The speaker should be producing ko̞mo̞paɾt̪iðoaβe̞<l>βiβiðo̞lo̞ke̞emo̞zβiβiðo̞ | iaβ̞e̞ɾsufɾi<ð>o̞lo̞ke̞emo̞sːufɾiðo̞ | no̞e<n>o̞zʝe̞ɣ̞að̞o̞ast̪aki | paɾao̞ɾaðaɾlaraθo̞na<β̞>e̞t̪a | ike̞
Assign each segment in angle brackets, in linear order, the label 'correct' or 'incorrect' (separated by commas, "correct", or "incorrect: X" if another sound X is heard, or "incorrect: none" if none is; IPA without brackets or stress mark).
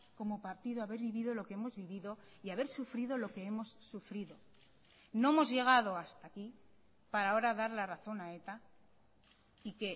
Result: incorrect: ɾ, correct, incorrect: m, incorrect: none